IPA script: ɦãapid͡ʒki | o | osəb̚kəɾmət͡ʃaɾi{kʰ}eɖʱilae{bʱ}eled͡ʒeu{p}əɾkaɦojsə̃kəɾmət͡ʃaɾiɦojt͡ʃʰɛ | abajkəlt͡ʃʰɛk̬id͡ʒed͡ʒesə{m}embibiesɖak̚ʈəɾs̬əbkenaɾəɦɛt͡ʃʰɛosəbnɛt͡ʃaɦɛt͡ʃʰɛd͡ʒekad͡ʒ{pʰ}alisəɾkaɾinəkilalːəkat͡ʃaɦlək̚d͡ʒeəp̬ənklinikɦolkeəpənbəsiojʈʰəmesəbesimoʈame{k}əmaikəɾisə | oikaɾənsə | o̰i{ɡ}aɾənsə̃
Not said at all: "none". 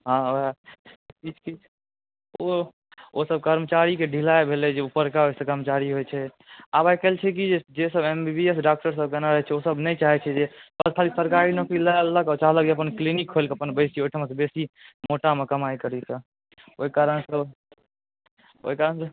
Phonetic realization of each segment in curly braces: k, bʱ, p, b, kʰ, k, k

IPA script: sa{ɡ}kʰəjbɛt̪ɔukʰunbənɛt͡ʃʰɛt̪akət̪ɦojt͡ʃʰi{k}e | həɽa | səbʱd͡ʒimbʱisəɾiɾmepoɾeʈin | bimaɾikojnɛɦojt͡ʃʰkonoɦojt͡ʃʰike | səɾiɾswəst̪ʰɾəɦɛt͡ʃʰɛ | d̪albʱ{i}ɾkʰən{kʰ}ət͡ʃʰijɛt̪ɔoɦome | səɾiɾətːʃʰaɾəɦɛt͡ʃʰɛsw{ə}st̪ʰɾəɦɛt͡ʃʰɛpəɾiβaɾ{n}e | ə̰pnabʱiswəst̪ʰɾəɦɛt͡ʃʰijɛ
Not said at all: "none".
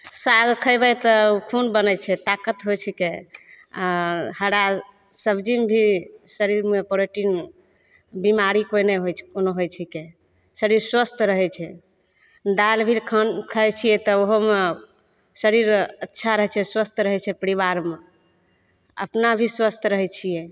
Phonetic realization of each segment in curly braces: ɡ, k, i, kʰ, ə, m

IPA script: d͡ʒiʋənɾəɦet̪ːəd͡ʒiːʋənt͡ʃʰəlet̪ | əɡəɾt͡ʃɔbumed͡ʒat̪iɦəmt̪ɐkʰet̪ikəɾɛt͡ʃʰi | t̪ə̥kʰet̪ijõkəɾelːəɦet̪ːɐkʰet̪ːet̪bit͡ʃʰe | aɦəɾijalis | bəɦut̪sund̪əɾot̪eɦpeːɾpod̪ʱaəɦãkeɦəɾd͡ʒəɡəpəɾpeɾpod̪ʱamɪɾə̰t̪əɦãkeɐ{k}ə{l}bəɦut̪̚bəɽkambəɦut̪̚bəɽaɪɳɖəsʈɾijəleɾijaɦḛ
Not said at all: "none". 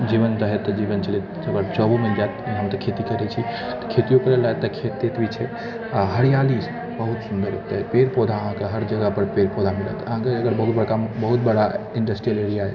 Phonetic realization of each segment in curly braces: ɡ, ɾ

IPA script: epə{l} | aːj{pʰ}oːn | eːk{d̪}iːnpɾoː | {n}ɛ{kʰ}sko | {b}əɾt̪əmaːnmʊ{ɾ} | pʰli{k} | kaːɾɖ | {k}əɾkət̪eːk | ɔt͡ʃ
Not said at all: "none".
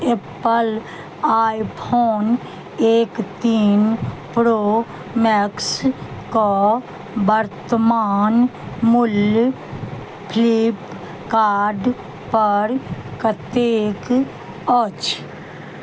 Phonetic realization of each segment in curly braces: l, pʰ, t̪, m, k, b, l, p, p

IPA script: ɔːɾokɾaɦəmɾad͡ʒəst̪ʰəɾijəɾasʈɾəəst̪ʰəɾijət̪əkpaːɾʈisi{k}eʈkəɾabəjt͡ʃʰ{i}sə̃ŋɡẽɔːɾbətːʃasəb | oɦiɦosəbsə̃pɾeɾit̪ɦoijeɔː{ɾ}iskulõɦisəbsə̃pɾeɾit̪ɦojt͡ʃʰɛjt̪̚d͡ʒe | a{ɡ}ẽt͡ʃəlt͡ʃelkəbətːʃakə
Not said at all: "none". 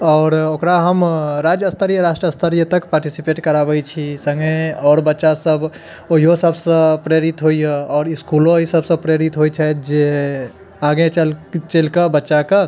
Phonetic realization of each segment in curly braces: p, i, ɾ, ɡ

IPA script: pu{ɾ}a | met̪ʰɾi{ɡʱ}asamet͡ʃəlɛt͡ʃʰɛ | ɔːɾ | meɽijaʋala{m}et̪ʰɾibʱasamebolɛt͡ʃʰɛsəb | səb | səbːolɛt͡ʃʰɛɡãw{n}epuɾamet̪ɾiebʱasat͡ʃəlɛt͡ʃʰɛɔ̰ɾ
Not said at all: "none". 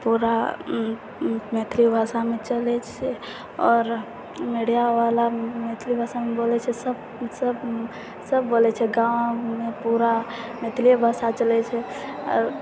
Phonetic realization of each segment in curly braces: ɾ, bʱ, m, m

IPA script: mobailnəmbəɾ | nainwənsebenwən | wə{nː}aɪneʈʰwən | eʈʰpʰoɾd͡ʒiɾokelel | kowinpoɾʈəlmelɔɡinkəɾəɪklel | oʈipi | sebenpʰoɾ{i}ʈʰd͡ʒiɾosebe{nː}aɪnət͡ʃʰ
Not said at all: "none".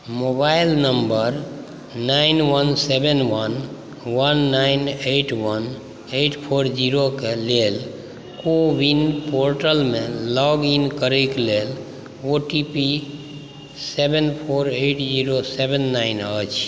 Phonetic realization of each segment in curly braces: nː, e, nː

